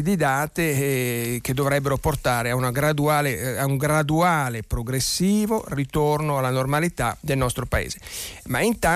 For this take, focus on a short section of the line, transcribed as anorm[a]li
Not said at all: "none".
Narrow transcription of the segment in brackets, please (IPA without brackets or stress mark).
a